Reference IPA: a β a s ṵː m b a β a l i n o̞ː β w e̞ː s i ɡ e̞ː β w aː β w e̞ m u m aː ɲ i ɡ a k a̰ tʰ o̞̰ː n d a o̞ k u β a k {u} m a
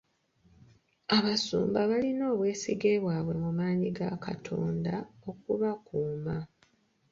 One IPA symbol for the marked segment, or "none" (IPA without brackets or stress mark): uː